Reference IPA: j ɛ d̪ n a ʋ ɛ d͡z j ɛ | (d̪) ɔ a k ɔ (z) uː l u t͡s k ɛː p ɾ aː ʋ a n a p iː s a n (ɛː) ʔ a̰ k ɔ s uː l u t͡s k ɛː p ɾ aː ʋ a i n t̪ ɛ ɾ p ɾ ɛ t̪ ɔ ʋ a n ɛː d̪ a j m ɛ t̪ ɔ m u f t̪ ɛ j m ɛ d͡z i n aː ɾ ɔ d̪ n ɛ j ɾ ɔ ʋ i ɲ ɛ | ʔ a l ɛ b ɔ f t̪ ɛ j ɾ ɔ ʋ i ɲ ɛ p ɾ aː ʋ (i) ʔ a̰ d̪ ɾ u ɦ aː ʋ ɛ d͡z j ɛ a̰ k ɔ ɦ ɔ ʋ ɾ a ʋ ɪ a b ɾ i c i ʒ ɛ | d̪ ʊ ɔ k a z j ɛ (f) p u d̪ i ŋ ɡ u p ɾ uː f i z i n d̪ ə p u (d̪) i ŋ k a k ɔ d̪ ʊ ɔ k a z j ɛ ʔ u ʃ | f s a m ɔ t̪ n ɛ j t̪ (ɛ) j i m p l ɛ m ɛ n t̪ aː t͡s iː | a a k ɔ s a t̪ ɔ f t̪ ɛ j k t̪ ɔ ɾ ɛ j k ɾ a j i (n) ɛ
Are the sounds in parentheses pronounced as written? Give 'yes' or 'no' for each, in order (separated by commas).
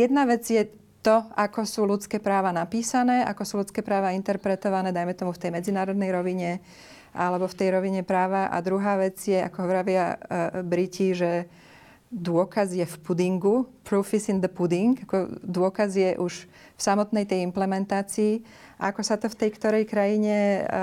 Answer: no, no, yes, no, yes, yes, yes, no